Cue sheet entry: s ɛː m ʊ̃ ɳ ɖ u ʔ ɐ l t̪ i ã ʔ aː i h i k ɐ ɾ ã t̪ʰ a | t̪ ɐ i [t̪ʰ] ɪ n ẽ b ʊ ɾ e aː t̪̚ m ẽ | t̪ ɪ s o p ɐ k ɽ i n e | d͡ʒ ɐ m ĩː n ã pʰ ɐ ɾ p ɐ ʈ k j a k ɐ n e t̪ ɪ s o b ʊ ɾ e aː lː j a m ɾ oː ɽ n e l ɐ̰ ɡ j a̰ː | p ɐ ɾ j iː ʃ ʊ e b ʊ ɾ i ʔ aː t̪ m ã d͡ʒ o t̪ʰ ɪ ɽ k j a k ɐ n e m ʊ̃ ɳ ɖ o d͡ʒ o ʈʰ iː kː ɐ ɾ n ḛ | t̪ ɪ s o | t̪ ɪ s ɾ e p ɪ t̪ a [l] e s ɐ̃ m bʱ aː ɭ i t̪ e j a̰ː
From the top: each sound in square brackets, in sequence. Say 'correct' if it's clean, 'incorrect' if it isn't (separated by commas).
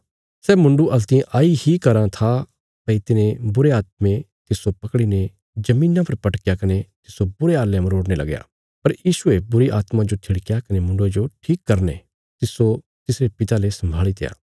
incorrect, correct